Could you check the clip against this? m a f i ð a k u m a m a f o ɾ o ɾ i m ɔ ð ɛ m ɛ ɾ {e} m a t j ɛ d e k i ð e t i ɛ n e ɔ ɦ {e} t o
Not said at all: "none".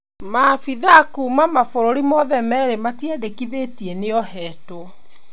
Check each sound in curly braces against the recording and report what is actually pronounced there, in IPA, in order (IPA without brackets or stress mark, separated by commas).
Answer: e, ɛ